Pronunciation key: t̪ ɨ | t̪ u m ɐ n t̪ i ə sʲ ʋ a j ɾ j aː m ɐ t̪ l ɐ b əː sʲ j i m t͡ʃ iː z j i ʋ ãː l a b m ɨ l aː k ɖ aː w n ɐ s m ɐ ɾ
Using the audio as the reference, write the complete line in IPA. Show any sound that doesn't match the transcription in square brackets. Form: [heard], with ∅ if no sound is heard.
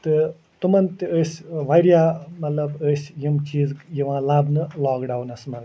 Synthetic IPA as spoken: t̪ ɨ | t̪ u m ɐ n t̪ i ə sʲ ʋ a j ɾ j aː m ɐ t̪ l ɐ b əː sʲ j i m t͡ʃ iː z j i ʋ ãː l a b [n] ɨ l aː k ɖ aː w n ɐ s m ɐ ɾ